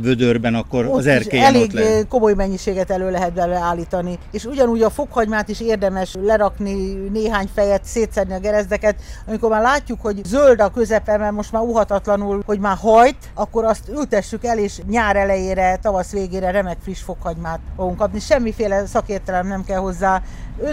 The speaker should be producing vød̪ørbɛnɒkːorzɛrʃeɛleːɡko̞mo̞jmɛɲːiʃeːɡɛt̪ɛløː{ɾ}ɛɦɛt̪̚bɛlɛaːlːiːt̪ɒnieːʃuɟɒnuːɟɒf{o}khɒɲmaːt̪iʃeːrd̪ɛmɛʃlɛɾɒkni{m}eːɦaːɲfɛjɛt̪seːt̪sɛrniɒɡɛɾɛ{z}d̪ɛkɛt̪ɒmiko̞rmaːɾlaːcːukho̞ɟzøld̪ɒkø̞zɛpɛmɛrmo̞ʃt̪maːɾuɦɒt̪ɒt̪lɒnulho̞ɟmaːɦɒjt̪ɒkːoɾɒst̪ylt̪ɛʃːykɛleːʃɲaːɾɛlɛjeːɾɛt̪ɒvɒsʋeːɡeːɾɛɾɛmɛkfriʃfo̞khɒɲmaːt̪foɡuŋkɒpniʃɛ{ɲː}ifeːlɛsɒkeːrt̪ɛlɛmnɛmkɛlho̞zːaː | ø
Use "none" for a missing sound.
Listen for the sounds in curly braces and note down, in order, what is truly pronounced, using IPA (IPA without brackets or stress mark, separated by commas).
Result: l, o, n, z, mː